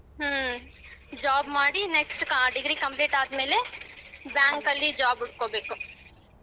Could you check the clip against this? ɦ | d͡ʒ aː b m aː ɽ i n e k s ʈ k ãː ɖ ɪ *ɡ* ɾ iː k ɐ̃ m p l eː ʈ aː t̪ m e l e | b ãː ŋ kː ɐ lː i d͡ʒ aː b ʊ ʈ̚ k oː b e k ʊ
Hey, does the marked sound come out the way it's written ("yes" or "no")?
yes